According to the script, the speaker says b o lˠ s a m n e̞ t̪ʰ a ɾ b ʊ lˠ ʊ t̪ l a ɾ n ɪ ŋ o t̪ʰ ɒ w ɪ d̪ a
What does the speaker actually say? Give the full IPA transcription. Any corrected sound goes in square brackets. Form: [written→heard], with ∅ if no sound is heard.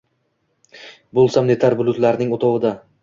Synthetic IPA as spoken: b o lˠ s a m n e̞ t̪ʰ a ɾ b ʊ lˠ ʊ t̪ l a ɾ n ɪ ŋ o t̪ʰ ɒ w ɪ d̪ a